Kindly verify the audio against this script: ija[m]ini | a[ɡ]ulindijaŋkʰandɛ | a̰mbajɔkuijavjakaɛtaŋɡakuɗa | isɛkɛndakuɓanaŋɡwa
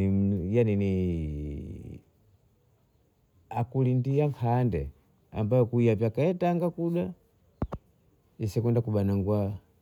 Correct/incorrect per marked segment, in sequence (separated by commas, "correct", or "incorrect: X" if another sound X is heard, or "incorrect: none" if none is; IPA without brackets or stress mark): incorrect: n, incorrect: k